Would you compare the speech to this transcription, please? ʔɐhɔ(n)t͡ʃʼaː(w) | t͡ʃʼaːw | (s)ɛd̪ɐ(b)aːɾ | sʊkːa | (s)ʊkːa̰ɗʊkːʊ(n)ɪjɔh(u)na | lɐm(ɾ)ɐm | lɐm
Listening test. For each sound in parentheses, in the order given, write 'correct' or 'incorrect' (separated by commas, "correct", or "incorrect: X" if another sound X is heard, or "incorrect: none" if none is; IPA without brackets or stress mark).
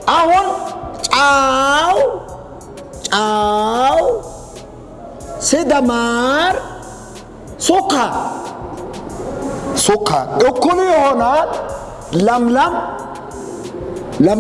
correct, correct, correct, incorrect: m, correct, correct, incorrect: ɔ, incorrect: l